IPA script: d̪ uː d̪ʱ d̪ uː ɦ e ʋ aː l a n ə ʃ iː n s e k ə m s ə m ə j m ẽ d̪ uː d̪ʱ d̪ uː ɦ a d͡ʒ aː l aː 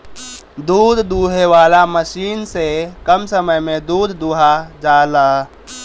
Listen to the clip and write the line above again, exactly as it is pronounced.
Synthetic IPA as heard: d̪ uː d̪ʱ d̪ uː ɦ e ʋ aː l a m ə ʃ iː n s e k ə m s ə m ə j m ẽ d̪ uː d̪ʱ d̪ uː ɦ a d͡ʒ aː l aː